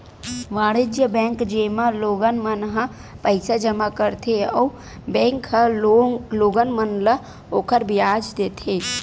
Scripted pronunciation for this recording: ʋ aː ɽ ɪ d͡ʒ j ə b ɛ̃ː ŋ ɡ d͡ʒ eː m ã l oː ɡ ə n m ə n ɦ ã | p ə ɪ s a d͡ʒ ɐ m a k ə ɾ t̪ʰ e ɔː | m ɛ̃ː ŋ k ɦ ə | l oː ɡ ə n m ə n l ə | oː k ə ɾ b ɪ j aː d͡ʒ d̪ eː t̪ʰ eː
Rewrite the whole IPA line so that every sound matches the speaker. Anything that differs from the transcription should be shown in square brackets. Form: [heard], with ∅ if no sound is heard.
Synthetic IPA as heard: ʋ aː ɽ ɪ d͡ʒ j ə b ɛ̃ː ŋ [k] d͡ʒ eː m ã l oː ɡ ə n m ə n ɦ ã | p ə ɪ s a d͡ʒ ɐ m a k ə ɾ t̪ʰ e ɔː | [b] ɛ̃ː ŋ k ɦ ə | l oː ɡ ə n m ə n l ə | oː k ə ɾ b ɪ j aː d͡ʒ d̪ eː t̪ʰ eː